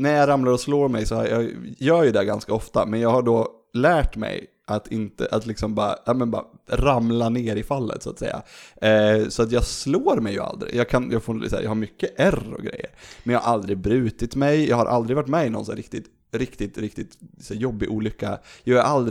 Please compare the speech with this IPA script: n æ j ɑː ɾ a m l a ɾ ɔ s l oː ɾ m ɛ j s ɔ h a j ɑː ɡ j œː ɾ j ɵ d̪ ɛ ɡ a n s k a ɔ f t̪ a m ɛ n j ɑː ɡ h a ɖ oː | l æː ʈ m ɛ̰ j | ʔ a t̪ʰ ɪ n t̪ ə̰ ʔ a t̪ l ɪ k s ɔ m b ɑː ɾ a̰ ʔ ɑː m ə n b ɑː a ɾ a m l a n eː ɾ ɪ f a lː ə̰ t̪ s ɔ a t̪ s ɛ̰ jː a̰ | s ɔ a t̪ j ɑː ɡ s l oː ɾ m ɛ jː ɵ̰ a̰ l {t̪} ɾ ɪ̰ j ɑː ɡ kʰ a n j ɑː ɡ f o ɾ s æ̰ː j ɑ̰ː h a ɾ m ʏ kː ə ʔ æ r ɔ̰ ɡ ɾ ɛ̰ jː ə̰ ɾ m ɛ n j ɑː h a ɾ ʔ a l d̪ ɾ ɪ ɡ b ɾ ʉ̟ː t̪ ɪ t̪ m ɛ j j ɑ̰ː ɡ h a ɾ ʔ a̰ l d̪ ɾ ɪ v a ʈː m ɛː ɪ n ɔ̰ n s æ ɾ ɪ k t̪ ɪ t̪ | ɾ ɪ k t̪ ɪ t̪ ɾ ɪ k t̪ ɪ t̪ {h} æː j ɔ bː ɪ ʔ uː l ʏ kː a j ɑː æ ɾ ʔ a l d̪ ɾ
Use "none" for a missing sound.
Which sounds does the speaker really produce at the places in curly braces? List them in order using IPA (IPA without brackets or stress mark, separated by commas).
d̪, s